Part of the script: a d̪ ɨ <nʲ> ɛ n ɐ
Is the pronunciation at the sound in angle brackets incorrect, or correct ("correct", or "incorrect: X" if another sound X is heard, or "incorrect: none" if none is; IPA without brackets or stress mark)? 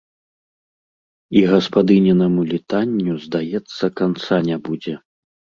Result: correct